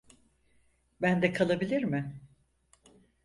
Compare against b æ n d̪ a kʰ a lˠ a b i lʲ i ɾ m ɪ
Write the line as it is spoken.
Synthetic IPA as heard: b æ n d̪ ɛ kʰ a lˠ a b i lʲ i ɾ m ɪ